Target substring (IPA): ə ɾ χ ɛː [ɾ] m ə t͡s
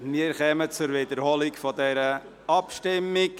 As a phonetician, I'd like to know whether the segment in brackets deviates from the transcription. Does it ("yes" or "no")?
yes